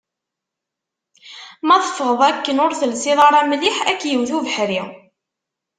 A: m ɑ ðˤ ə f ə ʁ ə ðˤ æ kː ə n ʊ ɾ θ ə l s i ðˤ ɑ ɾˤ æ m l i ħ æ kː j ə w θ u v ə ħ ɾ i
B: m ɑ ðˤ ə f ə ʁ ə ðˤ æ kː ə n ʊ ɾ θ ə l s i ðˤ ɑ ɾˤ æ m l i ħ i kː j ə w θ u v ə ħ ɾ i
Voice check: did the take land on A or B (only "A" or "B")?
A